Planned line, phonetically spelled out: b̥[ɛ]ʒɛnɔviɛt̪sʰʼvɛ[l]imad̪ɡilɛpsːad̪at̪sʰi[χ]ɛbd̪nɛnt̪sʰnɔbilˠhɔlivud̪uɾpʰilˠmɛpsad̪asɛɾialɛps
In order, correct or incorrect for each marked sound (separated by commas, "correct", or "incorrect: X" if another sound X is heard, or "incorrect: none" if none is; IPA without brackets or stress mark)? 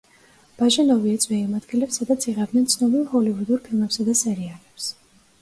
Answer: incorrect: a, incorrect: none, incorrect: ʁ